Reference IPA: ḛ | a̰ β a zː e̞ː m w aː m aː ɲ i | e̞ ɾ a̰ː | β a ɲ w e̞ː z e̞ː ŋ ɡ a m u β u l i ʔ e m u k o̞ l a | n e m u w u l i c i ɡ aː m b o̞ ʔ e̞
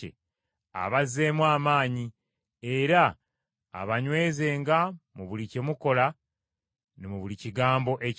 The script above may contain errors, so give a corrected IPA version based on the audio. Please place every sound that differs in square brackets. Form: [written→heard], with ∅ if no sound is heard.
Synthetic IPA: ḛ | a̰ β a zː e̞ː m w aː m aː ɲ i | e̞ ɾ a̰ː | β a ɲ w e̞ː z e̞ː ŋ ɡ a m u β u l i [ʔ→c] e m u k o̞ l a | n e m u [w→β] u l i c i ɡ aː m b o̞ ʔ e̞